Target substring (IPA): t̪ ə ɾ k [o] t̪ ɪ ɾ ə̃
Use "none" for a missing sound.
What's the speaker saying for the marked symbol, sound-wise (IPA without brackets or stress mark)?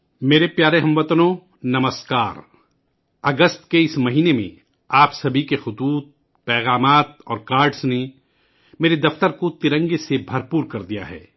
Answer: o